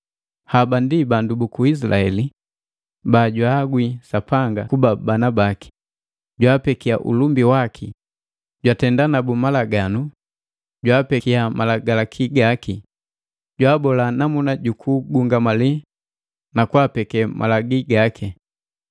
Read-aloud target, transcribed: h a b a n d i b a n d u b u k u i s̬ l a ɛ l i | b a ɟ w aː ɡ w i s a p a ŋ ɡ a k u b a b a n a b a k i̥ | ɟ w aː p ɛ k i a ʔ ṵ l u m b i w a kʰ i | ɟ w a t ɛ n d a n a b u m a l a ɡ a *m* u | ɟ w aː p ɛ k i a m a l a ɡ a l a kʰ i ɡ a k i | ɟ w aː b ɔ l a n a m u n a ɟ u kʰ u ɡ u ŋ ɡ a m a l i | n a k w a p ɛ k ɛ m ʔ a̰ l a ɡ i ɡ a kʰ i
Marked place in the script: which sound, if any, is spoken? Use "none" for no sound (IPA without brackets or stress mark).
n